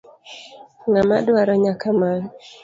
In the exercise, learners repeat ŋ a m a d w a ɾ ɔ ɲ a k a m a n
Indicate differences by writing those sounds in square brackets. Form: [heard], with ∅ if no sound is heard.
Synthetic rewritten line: ŋ a m a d w a ɾ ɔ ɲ a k a m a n